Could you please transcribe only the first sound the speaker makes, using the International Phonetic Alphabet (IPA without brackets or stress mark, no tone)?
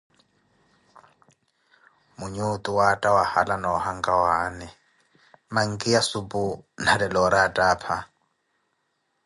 m